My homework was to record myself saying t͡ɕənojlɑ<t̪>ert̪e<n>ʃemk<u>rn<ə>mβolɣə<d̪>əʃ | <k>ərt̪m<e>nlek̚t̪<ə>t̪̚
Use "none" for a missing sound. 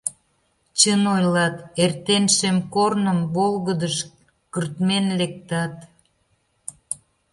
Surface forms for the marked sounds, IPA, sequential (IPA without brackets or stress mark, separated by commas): t̪, n, o, ə, d̪, k, e, ɑ